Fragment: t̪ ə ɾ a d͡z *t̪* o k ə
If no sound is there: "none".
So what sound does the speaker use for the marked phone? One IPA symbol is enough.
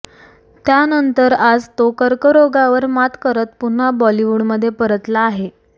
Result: t̪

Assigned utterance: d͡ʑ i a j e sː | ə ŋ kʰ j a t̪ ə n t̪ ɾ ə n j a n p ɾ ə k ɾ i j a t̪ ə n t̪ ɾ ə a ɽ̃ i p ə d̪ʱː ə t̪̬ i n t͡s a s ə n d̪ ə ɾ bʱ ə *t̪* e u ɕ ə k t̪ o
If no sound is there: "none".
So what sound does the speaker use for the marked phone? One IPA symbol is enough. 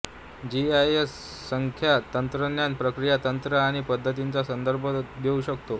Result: d̪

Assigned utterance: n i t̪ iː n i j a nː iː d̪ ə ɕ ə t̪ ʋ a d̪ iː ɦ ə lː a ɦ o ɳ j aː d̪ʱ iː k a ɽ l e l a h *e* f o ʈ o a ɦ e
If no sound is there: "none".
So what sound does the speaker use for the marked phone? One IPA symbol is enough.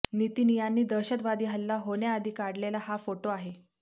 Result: a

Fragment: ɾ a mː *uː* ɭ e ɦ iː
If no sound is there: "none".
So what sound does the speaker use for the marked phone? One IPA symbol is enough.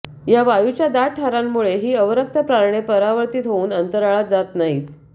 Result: u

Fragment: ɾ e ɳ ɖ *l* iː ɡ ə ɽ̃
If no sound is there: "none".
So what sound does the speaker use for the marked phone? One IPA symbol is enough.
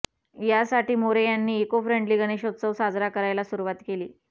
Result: l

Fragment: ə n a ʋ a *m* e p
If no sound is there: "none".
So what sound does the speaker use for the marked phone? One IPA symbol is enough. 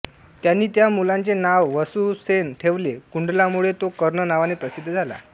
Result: n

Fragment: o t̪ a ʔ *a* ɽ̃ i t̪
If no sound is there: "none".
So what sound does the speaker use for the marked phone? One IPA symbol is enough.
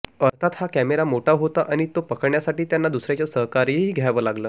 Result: a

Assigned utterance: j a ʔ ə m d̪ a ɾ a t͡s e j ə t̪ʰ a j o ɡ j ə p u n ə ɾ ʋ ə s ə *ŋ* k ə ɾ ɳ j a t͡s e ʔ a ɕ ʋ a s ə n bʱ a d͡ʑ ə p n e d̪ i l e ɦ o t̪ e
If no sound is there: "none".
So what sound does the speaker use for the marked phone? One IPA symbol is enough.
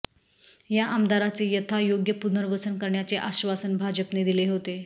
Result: n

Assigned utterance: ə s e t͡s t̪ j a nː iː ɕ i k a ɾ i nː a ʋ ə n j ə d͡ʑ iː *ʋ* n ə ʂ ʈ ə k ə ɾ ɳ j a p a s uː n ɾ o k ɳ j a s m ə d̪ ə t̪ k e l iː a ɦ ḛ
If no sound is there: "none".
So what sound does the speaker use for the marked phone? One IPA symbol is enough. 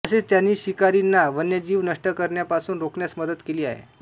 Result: ʋ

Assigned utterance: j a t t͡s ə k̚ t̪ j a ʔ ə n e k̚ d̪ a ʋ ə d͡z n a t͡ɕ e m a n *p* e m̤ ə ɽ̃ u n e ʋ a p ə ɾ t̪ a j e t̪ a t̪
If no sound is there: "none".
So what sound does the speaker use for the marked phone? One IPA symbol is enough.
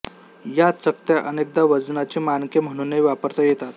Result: k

